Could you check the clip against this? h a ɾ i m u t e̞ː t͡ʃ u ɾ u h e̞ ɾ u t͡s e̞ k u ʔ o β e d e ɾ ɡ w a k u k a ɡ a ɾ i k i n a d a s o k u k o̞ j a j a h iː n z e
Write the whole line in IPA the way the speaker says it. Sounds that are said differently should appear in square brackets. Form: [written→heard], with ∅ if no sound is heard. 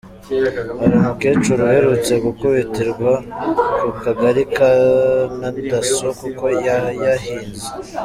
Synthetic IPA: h a ɾ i m u [t→k] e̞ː t͡ʃ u ɾ u h e̞ ɾ u t͡s e̞ [k→ɡ] u [ʔ→k] o β e [d→t] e ɾ ɡ w a k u k a ɡ a ɾ i k [i→a] n a d a s o k u k o̞ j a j a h iː n z e